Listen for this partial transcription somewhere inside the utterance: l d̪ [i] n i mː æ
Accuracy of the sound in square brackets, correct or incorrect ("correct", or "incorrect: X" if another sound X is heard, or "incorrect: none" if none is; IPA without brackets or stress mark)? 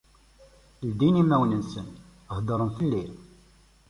correct